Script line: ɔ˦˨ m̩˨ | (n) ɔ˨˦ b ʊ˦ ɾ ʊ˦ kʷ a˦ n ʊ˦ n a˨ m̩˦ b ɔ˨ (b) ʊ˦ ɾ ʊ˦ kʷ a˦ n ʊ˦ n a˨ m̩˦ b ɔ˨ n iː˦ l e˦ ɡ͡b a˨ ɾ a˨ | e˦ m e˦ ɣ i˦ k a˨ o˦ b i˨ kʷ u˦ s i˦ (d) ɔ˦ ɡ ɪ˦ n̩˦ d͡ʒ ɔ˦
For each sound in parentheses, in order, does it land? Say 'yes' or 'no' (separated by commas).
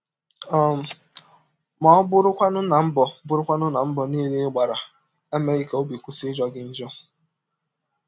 no, yes, no